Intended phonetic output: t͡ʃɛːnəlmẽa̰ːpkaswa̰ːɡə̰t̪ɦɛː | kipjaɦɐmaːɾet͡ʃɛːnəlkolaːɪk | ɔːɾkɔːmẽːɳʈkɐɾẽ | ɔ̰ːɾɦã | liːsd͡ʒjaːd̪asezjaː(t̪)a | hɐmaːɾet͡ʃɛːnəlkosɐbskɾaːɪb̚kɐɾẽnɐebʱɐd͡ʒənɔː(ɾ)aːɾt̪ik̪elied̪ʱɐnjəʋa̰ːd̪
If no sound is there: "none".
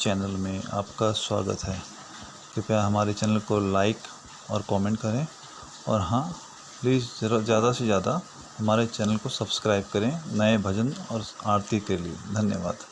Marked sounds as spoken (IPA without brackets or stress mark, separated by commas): d̪, ɾ